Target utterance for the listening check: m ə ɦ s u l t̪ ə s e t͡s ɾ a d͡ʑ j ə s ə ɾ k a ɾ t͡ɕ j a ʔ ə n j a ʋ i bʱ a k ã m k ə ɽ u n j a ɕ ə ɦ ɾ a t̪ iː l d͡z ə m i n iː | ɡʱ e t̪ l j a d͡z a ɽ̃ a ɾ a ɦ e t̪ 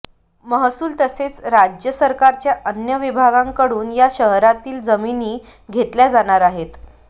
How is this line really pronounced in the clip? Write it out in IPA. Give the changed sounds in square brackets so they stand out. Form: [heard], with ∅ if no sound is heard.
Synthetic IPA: m ə ɦ s [uː] l t̪ ə s e t͡s ɾ a d͡ʑ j ə s ə ɾ k a ɾ t͡ɕ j a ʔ ə n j [ə] ʋ i bʱ a [ɡ] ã [ŋ] k ə ɽ [uː] n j a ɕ ə ɦ ɾ a t̪ iː l d͡z ə m i n iː | ɡʱ e t̪ l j a d͡z a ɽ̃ a ɾ a ɦ e t̪